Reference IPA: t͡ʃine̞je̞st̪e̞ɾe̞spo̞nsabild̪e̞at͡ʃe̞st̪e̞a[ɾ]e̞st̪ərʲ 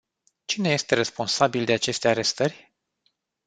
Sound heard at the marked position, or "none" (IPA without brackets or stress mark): ɾ